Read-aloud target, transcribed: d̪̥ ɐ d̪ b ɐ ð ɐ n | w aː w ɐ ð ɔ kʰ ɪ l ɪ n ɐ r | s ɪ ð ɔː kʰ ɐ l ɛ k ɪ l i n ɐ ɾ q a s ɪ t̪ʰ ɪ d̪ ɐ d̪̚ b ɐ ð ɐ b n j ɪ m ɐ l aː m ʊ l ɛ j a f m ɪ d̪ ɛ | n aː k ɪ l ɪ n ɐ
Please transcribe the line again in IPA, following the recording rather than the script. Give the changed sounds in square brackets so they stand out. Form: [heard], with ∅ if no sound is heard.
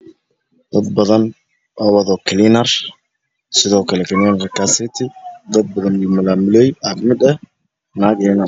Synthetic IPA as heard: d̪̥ ɐ d̪ b ɐ ð ɐ n | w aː w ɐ ð ɔ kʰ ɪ l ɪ n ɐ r | s ɪ ð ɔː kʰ ɐ l ɛ k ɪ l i n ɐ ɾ [k] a s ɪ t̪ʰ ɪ d̪ ɐ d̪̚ b ɐ ð ɐ [∅] n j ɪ m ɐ l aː m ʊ l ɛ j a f m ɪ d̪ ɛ | n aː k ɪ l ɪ n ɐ